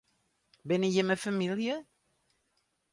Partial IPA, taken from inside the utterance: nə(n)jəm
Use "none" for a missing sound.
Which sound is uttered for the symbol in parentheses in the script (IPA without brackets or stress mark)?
none